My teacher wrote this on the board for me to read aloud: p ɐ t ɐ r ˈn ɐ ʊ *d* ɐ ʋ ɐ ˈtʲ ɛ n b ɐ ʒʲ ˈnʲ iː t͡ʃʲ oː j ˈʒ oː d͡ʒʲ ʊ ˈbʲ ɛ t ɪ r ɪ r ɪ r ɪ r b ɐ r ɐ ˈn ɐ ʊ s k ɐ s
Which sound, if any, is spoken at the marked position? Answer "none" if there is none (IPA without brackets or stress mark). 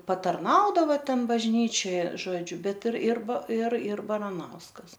d